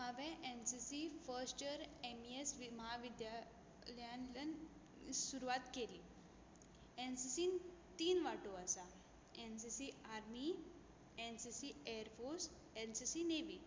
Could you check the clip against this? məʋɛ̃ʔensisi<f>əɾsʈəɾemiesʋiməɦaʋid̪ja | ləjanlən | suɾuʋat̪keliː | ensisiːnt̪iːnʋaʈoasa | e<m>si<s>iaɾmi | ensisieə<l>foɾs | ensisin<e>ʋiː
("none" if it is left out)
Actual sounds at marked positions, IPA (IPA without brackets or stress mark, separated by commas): f, n, s, ɾ, e